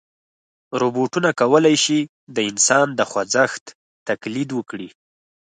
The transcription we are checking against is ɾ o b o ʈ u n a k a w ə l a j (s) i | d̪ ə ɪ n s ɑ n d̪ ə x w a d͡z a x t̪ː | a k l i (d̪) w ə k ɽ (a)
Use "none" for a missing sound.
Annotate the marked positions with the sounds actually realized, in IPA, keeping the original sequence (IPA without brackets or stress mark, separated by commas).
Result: ʃ, d̪, i